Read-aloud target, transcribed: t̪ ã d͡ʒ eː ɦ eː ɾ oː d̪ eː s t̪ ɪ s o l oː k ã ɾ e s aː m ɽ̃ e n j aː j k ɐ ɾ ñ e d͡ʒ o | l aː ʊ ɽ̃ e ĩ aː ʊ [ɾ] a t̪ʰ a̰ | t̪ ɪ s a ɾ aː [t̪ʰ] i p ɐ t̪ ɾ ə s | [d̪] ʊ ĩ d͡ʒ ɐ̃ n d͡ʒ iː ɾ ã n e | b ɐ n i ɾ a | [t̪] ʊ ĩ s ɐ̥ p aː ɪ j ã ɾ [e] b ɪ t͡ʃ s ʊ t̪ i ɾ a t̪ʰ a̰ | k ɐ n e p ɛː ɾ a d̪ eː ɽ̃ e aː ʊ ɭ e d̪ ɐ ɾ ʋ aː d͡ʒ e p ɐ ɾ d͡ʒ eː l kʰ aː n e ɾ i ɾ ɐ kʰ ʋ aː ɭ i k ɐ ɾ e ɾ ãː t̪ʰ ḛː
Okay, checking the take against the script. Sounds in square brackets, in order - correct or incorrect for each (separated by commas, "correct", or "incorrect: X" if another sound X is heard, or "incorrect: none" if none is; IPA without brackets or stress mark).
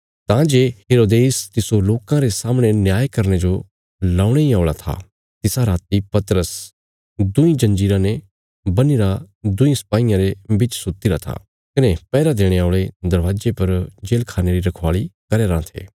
incorrect: ɭ, incorrect: t̪, correct, incorrect: d̪, correct